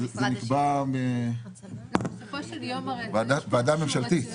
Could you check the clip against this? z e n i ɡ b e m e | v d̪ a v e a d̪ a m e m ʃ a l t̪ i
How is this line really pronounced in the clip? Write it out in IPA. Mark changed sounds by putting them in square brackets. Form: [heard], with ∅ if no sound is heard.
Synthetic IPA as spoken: z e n i [k] b [a] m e | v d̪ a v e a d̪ a m e m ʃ a l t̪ i